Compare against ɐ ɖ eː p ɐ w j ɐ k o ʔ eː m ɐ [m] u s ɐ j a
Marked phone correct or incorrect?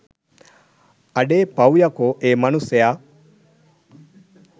incorrect